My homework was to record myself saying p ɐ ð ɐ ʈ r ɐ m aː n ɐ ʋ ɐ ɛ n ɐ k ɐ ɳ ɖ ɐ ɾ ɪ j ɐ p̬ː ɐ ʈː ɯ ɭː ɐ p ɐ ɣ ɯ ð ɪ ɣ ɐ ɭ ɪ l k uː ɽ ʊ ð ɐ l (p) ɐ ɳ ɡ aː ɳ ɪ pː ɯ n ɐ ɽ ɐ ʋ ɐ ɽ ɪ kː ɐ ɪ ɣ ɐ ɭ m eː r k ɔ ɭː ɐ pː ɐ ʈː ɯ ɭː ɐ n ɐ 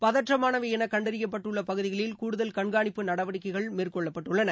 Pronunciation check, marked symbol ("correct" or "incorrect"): incorrect